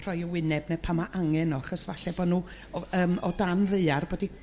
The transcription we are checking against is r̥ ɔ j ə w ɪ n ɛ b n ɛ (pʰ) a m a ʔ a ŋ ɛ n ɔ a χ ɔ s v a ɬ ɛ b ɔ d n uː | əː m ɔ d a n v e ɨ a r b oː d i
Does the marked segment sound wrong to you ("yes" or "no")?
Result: no